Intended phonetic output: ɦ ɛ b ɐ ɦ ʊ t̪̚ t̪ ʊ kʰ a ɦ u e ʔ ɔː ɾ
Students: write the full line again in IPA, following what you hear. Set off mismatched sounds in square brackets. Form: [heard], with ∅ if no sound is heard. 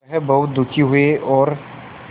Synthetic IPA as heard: ɦ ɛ b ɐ ɦ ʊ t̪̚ [d̪] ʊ kʰ [i] ɦ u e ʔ ɔː ɾ